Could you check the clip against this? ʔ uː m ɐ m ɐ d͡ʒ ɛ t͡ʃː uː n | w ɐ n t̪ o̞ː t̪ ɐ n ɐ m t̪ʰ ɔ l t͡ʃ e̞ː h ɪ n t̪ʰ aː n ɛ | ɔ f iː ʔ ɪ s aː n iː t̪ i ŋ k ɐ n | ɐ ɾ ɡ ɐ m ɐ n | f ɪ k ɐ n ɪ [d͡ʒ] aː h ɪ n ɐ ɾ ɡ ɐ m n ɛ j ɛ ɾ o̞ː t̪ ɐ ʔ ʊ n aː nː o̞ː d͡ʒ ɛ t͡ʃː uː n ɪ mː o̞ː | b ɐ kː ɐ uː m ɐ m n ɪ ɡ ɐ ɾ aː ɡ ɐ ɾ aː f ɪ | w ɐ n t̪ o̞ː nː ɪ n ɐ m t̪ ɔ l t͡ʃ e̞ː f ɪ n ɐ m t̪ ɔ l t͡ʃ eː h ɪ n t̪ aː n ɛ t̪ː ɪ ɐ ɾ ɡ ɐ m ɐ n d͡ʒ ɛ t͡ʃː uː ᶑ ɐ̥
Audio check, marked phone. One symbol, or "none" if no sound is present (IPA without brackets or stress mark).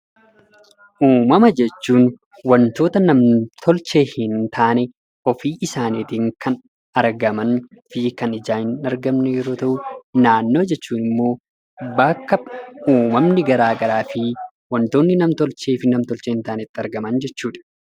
d͡ʒ